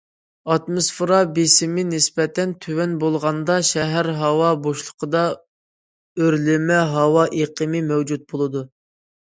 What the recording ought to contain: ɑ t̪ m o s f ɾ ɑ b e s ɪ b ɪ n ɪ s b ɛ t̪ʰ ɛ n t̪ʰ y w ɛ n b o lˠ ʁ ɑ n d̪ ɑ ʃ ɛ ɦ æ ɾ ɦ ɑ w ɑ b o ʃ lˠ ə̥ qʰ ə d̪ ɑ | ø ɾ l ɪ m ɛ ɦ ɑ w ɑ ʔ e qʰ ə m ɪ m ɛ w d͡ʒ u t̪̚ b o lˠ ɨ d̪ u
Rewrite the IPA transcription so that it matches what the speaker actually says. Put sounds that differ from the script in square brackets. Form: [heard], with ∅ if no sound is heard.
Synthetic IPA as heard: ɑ t̪ m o s f ɾ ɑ b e s ɪ [m] ɪ n ɪ s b ɛ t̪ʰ ɛ n t̪ʰ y w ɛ n b o lˠ ʁ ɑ n d̪ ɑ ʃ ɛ ɦ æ ɾ ɦ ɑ w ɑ b o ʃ lˠ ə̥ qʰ ə d̪ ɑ | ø ɾ l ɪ m ɛ ɦ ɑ w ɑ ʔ e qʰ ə m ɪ m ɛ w d͡ʒ u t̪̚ b o lˠ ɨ d̪ u